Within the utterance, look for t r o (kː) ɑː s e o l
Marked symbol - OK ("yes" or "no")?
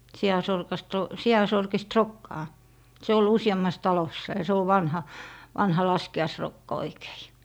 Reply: yes